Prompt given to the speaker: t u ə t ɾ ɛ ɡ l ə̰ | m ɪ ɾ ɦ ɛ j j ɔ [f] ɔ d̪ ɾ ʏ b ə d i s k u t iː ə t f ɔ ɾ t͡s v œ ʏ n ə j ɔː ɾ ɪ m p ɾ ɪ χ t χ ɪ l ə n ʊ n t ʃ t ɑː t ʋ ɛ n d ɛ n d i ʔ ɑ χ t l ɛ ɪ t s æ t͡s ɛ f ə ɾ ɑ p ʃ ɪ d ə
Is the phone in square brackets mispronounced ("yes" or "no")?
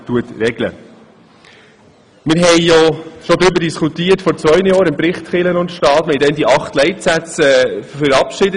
yes